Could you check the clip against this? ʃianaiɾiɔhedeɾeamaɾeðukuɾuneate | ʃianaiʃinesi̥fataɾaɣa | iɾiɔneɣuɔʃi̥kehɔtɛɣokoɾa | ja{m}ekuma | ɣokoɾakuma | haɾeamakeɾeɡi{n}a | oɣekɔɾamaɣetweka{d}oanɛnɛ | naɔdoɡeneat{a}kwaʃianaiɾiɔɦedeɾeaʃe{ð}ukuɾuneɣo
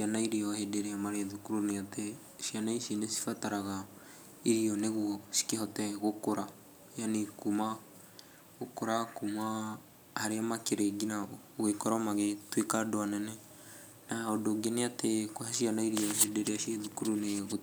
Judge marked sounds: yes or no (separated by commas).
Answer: no, yes, yes, no, yes